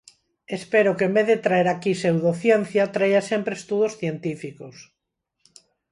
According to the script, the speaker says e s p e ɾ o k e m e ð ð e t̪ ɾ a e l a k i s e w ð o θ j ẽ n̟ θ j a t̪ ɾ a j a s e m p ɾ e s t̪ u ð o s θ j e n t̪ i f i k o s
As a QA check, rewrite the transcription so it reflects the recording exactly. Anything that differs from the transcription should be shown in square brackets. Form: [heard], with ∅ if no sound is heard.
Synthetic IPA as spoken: e s p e ɾ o k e m e ð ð e t̪ ɾ a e [ɾ] a k i s e w ð o θ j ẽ n̟ θ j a t̪ ɾ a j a s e m p ɾ e s t̪ u ð o s θ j e n t̪ i f i k o s